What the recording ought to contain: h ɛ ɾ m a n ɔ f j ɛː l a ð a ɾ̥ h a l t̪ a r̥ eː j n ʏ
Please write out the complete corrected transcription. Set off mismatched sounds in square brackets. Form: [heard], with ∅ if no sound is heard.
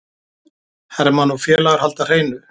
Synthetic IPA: h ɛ ɾ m a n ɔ f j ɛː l a [ɣ] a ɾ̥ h a l t̪ a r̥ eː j n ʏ